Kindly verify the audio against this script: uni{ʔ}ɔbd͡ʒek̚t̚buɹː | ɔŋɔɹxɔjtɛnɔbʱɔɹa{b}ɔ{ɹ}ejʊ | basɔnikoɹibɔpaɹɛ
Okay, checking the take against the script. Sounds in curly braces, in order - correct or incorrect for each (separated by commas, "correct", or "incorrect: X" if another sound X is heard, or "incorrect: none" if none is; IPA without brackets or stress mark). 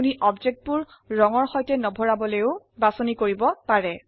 correct, correct, incorrect: l